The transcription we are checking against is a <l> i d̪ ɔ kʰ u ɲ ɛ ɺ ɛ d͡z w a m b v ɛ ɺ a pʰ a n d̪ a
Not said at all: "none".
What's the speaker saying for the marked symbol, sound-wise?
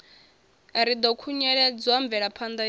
ɾ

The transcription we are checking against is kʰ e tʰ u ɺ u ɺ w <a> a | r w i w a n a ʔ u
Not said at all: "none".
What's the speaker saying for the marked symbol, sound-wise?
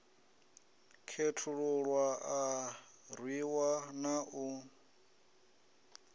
a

